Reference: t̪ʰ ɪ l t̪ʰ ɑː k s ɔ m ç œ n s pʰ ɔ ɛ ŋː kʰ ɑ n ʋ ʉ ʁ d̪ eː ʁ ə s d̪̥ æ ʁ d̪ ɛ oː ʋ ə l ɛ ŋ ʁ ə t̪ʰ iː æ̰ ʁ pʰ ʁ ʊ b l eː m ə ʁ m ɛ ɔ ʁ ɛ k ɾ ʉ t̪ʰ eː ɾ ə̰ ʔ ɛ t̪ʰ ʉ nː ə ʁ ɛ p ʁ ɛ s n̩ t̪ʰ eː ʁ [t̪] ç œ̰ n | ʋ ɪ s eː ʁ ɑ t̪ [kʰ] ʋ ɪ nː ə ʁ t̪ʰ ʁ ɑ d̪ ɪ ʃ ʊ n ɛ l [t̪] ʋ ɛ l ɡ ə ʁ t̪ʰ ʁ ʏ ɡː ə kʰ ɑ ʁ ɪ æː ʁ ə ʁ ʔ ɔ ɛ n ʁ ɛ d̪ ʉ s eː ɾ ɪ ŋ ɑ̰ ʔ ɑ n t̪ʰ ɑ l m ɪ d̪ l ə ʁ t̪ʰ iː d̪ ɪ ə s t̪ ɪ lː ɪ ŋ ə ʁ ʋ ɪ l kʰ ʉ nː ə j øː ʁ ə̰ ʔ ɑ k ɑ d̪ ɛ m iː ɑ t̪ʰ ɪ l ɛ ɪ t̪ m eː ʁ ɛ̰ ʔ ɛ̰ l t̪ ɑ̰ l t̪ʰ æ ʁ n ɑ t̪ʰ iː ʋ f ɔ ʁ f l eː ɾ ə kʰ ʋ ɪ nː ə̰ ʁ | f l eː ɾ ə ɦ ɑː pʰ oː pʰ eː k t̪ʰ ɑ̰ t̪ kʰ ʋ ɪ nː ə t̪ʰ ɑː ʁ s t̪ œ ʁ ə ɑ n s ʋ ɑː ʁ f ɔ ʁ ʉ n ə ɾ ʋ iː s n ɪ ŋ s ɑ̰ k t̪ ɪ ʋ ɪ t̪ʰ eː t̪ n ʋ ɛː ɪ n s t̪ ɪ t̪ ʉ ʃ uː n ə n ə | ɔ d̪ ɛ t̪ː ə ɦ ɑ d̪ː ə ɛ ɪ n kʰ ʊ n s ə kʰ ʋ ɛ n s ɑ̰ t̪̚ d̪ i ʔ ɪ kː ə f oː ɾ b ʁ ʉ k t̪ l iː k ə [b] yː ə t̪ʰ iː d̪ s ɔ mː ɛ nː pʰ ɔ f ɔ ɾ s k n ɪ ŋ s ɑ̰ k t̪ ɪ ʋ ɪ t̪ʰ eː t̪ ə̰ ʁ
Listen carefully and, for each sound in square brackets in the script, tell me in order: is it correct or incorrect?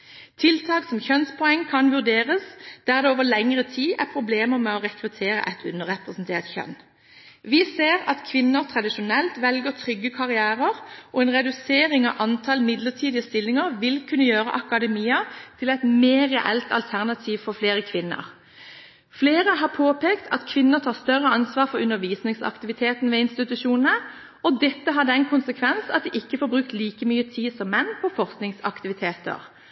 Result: correct, correct, correct, incorrect

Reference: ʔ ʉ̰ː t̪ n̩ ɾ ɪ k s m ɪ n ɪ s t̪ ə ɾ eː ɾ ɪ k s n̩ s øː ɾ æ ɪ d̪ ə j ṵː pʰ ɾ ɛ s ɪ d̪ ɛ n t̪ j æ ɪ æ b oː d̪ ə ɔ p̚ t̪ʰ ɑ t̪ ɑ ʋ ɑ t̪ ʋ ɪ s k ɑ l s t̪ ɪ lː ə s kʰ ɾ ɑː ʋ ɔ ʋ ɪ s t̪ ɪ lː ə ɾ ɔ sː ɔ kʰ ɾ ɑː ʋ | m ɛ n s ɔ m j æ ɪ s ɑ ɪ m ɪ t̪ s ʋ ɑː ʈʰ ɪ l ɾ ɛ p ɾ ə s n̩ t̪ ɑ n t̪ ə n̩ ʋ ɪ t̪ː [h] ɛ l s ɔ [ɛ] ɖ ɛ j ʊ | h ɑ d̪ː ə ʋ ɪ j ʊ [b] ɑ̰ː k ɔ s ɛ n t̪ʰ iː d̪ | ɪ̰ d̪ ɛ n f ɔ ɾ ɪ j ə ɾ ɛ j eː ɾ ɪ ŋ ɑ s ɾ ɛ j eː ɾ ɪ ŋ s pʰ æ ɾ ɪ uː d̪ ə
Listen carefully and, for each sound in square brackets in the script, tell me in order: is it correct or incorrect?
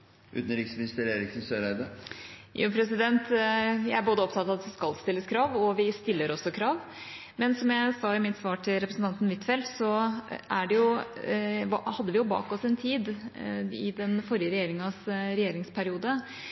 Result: incorrect, incorrect, correct

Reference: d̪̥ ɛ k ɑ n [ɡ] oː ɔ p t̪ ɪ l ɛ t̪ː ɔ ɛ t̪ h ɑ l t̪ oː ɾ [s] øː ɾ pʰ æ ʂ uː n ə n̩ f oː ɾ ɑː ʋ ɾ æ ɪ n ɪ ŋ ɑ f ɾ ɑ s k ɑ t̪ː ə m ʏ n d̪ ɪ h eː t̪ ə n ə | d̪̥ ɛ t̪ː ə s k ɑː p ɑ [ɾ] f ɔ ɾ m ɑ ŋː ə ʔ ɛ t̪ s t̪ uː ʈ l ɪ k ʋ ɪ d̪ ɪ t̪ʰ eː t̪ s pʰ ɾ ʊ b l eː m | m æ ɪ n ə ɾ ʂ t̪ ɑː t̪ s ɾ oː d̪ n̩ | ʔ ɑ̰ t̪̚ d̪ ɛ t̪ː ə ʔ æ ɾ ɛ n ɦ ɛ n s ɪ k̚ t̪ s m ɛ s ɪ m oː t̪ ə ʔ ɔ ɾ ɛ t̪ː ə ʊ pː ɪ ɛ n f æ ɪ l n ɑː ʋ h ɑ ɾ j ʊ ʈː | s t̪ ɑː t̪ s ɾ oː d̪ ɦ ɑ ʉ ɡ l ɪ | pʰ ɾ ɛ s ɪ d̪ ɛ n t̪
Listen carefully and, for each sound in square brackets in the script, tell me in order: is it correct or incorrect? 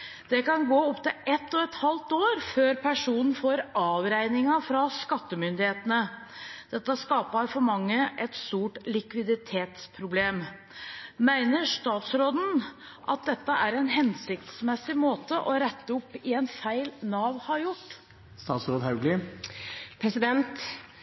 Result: correct, incorrect, correct

